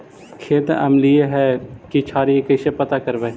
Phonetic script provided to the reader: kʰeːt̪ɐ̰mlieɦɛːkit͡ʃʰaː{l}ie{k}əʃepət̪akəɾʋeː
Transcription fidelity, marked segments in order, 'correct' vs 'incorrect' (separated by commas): incorrect, correct